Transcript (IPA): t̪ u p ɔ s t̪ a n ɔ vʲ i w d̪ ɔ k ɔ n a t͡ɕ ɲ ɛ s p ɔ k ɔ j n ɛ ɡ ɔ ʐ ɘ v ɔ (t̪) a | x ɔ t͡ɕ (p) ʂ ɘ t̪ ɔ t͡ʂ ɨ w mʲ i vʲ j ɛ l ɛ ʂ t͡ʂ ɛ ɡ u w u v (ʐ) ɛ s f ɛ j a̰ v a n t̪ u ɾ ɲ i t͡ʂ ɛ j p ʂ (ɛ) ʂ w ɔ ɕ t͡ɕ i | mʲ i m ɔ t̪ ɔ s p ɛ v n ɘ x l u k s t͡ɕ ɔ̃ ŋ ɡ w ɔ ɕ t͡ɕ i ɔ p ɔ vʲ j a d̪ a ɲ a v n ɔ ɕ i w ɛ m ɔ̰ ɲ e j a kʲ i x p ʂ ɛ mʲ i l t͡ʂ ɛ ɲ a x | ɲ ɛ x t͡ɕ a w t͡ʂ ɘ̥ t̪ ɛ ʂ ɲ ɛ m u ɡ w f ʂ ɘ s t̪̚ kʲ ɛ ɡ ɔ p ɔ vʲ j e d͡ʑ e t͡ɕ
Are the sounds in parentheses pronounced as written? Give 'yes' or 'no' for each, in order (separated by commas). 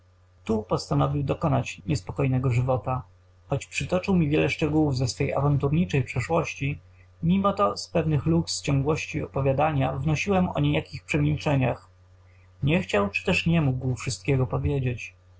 yes, yes, no, yes